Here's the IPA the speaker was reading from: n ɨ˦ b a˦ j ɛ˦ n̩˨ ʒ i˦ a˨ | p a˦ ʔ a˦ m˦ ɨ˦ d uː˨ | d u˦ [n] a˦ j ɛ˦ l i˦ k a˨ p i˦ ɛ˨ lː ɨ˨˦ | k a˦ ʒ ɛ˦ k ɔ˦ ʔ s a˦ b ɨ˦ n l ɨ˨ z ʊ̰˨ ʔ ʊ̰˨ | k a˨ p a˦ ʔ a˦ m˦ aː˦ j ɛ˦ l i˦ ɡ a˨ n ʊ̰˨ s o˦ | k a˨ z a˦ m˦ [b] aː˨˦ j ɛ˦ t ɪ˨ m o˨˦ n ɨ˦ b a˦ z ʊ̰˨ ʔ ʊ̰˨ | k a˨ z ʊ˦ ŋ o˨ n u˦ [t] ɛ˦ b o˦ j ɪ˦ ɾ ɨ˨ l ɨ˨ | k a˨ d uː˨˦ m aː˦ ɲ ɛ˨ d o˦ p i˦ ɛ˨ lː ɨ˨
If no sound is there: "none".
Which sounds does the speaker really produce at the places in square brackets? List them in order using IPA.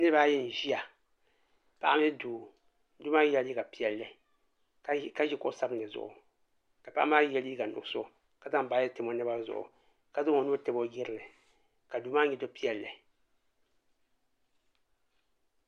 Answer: m, b, t

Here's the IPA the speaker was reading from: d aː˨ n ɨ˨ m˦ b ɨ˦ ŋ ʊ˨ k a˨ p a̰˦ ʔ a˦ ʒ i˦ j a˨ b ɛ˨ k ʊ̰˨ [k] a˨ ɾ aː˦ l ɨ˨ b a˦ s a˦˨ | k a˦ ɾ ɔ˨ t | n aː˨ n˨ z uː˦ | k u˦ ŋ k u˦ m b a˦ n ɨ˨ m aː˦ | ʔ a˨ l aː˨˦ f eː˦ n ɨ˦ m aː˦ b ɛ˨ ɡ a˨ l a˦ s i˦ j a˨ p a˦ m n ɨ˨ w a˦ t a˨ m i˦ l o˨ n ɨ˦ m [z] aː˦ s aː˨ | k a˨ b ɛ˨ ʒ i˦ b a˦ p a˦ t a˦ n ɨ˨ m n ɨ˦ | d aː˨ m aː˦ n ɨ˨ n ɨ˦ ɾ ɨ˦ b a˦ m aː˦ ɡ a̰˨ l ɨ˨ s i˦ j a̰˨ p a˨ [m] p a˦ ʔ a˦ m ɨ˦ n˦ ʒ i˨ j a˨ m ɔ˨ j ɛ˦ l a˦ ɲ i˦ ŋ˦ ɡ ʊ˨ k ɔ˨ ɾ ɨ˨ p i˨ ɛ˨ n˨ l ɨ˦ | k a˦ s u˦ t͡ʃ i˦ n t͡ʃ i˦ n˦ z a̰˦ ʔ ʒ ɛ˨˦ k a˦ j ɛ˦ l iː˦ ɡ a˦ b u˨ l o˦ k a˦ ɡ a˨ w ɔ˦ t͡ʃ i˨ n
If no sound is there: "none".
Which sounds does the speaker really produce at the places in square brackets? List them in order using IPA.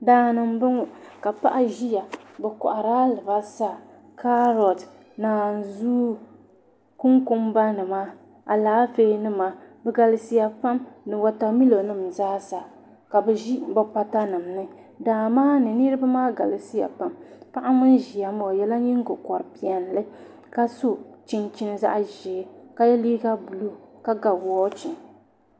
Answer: ʔ, z, m

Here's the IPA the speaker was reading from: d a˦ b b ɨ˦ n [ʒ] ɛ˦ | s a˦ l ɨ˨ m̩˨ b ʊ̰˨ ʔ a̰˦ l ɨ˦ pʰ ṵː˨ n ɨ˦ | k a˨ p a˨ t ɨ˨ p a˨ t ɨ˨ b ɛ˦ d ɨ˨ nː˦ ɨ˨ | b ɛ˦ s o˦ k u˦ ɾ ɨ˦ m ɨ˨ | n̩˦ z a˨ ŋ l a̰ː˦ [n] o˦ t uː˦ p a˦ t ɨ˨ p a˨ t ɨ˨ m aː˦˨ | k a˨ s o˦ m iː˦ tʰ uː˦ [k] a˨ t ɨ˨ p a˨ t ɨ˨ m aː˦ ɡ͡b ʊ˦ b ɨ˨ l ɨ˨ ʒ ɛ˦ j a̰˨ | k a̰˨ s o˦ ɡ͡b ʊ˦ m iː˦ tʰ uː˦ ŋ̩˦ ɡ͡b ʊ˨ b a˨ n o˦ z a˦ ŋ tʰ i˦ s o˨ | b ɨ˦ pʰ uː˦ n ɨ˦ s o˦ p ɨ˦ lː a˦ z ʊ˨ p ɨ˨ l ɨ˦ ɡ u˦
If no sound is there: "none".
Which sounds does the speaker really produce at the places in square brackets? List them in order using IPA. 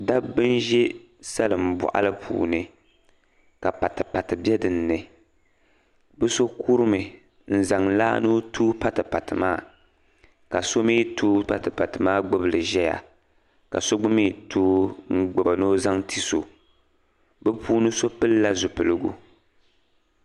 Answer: ʒ, n, p

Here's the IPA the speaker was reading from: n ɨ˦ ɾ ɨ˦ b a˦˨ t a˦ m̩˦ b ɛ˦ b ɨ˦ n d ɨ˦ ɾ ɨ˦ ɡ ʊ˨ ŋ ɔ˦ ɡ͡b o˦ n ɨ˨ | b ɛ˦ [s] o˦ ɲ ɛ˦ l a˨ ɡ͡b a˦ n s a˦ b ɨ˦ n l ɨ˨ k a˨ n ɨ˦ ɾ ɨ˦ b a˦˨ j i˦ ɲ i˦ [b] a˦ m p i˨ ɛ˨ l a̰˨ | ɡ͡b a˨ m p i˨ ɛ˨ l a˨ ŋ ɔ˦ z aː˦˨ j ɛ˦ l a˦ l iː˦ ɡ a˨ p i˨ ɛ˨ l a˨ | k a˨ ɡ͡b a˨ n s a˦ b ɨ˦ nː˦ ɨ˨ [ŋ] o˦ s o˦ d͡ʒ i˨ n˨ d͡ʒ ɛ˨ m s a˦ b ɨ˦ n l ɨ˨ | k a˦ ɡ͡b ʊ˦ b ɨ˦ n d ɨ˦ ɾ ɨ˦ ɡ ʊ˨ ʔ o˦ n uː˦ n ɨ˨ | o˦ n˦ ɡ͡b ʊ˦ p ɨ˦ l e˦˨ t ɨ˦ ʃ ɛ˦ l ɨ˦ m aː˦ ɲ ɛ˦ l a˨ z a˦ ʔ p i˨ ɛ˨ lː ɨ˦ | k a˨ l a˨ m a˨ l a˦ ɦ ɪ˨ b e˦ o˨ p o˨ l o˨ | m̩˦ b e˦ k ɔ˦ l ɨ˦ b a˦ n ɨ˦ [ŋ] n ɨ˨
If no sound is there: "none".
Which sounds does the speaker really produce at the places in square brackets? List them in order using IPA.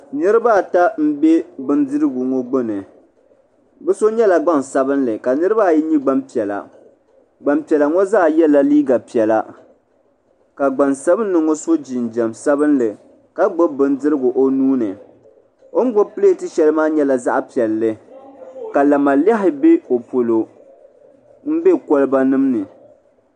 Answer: s, ɡ͡b, ŋ, m

